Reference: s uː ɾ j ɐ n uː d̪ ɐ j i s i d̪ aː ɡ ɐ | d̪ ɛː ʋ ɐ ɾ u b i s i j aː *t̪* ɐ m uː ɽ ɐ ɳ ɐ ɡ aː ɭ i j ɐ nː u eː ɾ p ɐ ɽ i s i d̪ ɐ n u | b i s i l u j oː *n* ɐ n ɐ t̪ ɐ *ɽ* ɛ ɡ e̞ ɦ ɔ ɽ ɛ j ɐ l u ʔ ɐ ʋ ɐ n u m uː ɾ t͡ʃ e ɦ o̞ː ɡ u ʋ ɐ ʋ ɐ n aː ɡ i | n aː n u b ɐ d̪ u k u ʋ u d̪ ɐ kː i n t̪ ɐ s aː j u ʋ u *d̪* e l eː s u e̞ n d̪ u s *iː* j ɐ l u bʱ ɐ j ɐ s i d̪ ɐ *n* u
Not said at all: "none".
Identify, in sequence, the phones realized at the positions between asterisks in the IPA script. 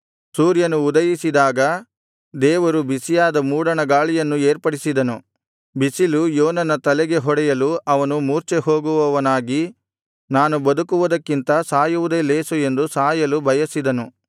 d̪, n, l, d̪, aː, n

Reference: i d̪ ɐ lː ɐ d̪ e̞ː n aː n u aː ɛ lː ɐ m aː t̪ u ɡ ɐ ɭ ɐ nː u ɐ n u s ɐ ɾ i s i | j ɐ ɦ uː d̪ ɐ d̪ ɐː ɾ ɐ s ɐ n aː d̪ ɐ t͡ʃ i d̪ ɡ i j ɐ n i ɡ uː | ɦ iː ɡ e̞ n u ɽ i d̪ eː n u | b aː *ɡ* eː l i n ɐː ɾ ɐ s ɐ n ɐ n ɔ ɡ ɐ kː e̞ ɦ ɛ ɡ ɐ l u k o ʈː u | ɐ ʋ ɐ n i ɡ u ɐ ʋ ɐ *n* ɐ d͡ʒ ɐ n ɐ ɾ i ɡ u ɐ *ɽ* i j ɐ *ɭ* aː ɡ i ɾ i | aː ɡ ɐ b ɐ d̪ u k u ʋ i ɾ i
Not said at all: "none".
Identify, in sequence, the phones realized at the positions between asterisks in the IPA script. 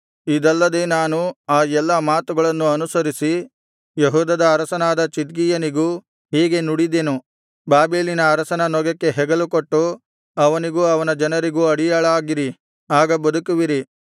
b, n, ɽ, ɭ

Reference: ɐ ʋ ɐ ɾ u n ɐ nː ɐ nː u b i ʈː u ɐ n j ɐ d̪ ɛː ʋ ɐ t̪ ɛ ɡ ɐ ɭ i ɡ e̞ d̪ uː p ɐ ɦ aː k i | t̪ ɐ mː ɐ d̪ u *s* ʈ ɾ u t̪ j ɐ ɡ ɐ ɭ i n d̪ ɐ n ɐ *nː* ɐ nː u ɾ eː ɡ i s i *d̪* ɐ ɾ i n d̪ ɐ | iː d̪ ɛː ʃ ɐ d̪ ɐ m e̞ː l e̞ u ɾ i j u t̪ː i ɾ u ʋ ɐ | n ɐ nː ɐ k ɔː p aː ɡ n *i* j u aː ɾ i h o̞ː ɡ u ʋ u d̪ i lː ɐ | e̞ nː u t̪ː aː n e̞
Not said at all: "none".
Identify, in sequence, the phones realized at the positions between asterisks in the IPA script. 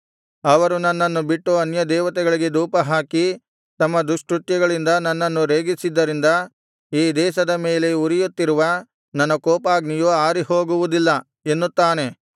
ʂ, nː, d̪ː, i

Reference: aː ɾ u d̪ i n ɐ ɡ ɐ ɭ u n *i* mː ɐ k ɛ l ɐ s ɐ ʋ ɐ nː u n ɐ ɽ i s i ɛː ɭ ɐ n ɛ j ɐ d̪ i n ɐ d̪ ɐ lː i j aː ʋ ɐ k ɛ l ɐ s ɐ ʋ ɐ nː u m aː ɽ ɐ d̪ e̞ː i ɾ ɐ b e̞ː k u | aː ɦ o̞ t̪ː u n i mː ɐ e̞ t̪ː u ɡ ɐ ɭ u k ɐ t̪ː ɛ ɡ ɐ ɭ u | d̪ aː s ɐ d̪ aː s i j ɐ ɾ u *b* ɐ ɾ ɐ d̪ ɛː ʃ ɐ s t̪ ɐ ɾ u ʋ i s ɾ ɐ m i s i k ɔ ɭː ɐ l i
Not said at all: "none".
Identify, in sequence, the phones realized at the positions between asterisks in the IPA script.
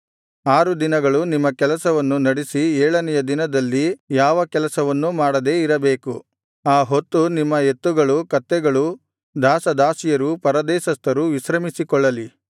i, p

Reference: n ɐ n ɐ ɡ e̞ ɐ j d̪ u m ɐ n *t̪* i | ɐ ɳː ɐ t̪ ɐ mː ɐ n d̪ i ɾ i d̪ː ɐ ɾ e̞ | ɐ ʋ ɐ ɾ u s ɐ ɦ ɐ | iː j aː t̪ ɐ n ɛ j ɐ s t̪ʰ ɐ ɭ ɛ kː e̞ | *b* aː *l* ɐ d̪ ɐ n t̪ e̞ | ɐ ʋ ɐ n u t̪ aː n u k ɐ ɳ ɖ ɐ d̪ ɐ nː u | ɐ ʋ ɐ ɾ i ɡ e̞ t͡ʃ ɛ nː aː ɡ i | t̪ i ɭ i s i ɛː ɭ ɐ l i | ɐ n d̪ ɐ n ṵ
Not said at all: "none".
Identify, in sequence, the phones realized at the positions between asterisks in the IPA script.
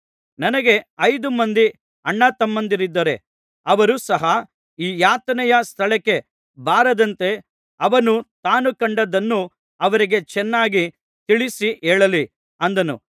d̪, b, ɾ

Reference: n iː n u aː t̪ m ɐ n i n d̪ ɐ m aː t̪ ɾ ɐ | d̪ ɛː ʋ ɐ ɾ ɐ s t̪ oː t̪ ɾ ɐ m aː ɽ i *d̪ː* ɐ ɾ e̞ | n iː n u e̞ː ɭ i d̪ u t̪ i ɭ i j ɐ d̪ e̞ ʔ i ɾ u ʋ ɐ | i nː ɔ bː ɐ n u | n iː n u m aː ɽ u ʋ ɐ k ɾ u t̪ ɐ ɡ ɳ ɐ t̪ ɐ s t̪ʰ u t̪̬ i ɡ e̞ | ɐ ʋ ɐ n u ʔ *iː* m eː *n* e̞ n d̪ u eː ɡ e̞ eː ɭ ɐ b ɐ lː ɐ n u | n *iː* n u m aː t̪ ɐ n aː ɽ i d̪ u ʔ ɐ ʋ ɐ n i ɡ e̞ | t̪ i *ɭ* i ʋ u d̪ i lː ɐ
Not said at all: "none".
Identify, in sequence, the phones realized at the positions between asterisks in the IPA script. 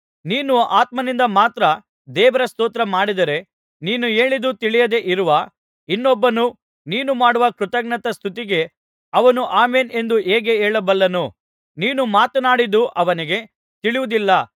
d̪, aː, n, iː, ɭ

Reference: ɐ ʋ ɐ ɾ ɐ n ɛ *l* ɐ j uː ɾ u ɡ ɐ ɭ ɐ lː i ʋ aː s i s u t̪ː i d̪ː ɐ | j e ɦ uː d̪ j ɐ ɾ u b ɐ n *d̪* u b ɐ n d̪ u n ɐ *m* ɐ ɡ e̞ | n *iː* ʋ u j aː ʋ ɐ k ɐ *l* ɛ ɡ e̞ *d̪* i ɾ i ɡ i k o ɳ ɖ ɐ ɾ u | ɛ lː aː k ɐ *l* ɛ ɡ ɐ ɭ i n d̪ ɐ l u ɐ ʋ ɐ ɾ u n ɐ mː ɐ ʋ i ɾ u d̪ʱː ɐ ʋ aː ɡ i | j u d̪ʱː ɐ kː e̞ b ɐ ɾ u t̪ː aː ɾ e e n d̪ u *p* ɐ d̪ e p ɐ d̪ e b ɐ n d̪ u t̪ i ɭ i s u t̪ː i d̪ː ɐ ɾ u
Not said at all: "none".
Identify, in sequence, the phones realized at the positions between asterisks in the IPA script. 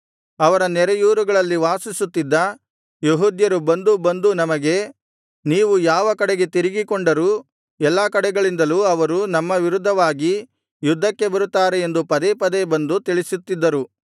ɾ, d̪, m, iː, ɽ, t̪, ɽ, p

